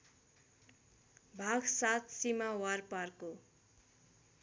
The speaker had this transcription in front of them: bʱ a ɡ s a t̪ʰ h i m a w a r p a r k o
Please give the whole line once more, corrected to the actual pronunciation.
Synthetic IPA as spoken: bʱ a ɡ s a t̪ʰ s i m a w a r p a r k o